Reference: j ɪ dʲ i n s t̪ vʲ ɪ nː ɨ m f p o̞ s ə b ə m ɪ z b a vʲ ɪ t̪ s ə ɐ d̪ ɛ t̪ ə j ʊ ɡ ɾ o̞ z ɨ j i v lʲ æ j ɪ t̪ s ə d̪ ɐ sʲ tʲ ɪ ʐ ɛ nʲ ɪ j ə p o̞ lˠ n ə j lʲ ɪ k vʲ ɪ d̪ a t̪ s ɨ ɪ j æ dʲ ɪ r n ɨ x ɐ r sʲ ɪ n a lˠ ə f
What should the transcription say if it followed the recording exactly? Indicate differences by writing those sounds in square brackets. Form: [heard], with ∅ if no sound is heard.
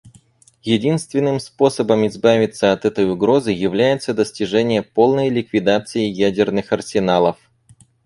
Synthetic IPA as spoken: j ɪ dʲ i n s t̪ vʲ ɪ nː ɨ m [s] p o̞ s ə b ə m ɪ z b a vʲ ɪ t̪ s ə ɐ [t̪] ɛ t̪ ə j ʊ ɡ ɾ o̞ z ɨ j [ɪ] v lʲ æ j ɪ t̪ s ə d̪ [ə] sʲ tʲ ɪ ʐ ɛ nʲ ɪ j ə p o̞ lˠ n ə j lʲ ɪ k vʲ ɪ d̪ a t̪ s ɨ ɪ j æ dʲ ɪ r n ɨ x ɐ r sʲ ɪ n a lˠ ə f